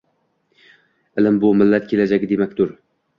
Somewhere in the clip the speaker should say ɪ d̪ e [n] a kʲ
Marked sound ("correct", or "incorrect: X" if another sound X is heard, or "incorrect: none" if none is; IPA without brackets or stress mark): incorrect: m